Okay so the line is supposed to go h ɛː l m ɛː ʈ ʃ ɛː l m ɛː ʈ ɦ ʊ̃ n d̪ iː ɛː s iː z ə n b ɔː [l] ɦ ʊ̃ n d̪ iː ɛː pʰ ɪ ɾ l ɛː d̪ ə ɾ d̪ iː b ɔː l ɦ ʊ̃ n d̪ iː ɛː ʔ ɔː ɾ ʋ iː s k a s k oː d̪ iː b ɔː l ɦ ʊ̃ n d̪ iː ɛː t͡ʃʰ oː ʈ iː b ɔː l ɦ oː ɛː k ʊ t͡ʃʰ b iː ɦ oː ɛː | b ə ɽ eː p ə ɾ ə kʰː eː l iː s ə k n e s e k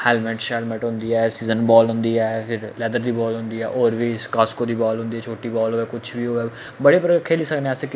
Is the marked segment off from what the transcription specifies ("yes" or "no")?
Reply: no